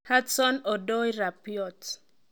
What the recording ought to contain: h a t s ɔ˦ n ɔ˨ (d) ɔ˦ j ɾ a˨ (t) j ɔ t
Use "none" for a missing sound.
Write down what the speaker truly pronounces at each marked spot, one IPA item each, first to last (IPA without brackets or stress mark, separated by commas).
d, p